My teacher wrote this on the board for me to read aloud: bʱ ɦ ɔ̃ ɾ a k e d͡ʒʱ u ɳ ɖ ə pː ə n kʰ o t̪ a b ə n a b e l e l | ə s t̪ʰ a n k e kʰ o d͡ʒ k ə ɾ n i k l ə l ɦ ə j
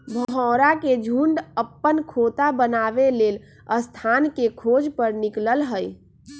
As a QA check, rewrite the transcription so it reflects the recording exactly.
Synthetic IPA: bʱ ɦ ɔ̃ ɾ a k e d͡ʒʱ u ɳ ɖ ə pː ə n kʰ o t̪ a b ə n a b e l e l | ə s t̪ʰ a n k e kʰ o d͡ʒ p ə ɾ n i k l ə l ɦ ə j